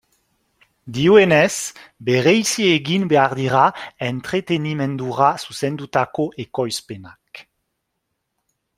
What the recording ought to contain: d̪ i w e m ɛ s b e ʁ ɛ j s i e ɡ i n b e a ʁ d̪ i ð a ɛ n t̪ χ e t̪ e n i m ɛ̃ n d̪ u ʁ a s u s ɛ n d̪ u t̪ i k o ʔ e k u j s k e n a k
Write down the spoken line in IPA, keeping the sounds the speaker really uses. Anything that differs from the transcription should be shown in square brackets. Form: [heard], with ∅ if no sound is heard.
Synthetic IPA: d̪ i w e [n] ɛ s b e ʁ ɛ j s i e ɡ i n b e a ʁ d̪ i [ʁ] a ɛ n t̪ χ e t̪ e n i m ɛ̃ n d̪ u ʁ a s u s ɛ n d̪ u t̪ [a] k o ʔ e k [ɔ] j s [p] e n a k